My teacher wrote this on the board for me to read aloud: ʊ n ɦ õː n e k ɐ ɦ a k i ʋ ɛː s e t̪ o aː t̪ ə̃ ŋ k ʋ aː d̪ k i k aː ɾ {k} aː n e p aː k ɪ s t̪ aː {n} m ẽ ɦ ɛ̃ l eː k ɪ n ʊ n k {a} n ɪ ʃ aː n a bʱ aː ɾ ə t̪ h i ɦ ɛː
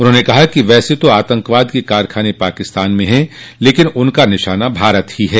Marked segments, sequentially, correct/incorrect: incorrect: kʰ, correct, correct

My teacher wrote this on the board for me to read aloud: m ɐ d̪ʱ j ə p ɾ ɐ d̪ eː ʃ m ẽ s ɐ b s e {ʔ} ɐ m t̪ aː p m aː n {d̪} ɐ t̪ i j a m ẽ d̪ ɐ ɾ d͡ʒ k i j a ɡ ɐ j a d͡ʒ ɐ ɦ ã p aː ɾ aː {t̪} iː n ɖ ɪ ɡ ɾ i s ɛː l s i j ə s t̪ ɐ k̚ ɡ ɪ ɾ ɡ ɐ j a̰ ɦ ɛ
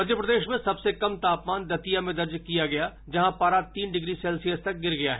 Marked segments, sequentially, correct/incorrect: incorrect: k, correct, correct

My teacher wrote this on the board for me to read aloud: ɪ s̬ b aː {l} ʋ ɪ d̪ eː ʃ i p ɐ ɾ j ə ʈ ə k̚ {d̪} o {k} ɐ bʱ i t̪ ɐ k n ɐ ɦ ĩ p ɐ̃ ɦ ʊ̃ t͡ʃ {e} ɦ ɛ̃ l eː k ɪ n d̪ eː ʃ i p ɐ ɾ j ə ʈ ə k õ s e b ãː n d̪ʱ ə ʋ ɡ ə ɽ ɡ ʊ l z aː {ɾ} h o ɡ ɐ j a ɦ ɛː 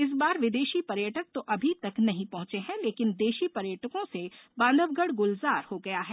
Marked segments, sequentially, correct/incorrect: incorrect: ɾ, incorrect: t̪, incorrect: ʔ, correct, correct

